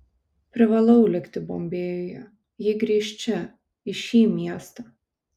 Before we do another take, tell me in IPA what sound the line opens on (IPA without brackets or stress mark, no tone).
pʲ